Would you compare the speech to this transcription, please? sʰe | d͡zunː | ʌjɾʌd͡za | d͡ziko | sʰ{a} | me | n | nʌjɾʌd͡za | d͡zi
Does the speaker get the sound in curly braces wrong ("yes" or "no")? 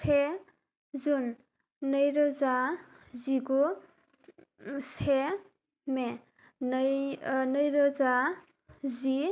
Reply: yes